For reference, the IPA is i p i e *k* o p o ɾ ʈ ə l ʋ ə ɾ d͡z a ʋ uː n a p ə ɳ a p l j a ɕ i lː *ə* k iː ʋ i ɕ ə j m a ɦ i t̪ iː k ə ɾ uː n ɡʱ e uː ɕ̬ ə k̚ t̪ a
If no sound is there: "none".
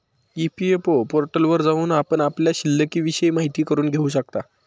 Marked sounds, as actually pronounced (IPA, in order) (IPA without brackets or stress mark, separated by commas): p, ə